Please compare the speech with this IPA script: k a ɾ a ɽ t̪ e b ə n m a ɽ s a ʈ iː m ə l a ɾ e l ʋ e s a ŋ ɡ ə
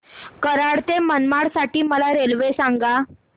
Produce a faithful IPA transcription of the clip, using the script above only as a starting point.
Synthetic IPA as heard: k ə ɾ a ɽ t̪ e m ə n m a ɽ s a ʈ iː m ə l a ɾ e l ʋ e s a ŋ ɡ a